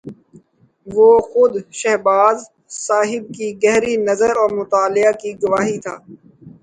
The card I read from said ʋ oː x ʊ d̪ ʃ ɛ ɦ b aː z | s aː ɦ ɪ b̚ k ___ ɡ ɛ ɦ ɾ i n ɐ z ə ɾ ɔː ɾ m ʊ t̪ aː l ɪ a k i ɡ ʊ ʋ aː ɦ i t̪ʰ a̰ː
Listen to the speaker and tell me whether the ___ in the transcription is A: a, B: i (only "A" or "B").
B